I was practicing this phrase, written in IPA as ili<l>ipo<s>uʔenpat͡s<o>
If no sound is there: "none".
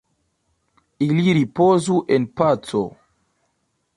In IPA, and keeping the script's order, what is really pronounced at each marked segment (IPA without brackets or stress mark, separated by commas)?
ɾ, z, o